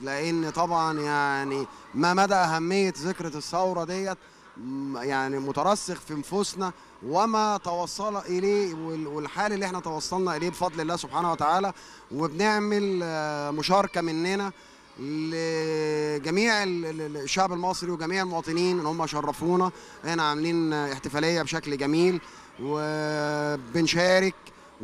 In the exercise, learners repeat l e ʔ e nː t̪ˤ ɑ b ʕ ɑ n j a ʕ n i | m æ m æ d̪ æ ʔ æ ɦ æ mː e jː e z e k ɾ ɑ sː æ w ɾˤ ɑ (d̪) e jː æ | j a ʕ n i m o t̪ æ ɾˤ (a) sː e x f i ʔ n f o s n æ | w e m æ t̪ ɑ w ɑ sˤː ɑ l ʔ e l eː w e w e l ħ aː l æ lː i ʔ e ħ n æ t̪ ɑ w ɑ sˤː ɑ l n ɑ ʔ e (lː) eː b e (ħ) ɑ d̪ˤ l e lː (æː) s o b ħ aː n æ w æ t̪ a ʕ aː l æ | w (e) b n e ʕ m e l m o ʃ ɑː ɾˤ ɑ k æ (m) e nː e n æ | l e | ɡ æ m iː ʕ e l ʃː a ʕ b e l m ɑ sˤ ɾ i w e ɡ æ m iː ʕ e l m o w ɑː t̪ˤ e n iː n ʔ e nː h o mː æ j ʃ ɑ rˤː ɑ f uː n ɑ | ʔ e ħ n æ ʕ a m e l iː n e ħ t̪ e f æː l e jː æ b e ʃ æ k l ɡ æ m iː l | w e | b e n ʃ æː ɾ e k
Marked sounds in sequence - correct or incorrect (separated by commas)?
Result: correct, incorrect, incorrect, incorrect, correct, correct, correct